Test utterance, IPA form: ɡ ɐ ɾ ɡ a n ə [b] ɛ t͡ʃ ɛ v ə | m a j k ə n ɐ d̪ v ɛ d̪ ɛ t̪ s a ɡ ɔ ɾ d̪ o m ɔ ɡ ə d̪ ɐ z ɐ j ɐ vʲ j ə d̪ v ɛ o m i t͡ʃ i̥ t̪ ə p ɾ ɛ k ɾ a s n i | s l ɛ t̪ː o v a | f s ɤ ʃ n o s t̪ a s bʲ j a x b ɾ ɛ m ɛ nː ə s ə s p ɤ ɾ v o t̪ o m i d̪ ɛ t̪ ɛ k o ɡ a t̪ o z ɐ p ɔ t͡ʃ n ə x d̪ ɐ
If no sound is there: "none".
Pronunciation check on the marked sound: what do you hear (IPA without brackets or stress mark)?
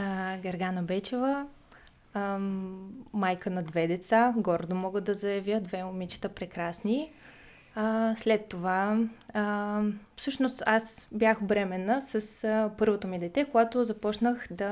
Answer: b